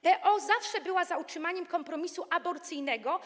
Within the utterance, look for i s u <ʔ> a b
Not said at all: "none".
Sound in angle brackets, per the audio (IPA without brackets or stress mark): ʔ